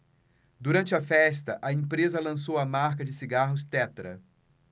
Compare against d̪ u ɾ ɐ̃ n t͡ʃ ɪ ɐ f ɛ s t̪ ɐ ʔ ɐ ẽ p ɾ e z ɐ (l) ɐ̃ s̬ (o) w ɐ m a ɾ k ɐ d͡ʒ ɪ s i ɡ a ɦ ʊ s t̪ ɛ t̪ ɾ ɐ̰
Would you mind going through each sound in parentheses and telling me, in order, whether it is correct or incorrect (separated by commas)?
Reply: correct, correct